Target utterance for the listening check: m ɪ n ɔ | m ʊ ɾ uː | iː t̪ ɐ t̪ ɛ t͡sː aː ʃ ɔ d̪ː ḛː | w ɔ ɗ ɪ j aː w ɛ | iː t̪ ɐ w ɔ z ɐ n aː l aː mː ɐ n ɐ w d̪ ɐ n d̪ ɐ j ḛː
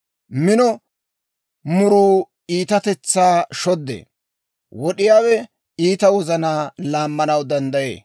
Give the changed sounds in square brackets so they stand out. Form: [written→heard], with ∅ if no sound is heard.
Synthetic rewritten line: m ɪ n ɔ | m ʊ ɾ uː | iː t̪ ɐ t̪ ɛ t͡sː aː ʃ ɔ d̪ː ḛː | w ɔ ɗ ɪ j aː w ɛ | iː t̪ ɐ w ɔ z ɐ n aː l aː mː ɐ n ɐ w d̪ ɐ n d̪ ɐ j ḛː